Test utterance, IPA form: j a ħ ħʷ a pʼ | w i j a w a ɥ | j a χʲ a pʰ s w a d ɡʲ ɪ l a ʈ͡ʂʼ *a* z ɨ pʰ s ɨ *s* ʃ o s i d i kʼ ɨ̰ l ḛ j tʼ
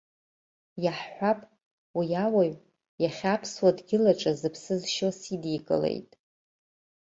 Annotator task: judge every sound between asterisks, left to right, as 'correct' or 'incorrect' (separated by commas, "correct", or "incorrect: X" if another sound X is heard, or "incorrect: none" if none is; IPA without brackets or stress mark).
correct, incorrect: z